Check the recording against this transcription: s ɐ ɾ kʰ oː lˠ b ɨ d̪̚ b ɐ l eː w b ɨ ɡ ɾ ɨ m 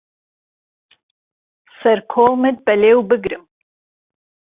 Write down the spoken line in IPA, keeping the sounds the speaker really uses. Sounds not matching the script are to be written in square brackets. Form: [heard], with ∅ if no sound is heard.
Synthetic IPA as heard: s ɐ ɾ kʰ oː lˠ [m] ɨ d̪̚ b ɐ l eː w b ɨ ɡ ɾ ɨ m